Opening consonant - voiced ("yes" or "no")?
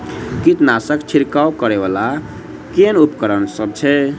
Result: no